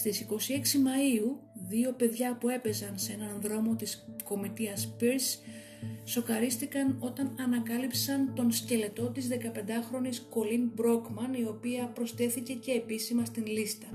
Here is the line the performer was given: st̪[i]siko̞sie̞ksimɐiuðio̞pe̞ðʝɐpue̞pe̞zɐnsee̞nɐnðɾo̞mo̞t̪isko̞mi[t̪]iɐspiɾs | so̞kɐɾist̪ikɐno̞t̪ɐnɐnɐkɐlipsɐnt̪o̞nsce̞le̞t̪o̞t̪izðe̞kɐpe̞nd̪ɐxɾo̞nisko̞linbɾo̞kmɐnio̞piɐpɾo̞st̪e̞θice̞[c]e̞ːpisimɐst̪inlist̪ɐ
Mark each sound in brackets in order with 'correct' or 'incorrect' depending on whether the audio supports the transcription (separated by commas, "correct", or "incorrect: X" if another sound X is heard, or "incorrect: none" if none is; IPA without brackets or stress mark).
correct, correct, correct